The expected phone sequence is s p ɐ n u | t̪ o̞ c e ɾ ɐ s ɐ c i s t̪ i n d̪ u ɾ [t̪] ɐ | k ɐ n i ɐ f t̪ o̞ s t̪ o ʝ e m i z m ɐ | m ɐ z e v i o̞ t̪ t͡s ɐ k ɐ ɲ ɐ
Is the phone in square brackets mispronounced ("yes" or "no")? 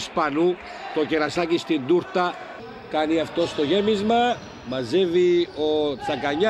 no